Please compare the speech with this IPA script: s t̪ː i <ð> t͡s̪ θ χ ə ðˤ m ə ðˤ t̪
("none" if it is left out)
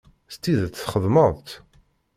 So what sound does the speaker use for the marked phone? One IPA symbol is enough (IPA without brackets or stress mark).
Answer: ð